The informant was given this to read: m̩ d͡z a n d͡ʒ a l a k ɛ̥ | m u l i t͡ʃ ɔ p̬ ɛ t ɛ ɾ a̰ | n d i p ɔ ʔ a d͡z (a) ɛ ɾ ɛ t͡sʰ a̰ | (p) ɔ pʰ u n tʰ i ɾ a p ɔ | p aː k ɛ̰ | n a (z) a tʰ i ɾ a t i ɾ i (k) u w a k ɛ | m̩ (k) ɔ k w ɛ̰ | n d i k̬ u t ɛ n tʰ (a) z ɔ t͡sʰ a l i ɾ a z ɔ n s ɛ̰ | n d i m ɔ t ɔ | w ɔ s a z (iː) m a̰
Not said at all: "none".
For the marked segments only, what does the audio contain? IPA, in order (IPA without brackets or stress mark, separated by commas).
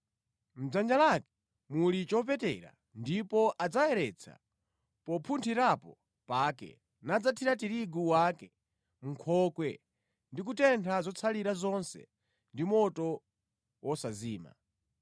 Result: a, p, d͡z, ɡ, kʰ, a, iː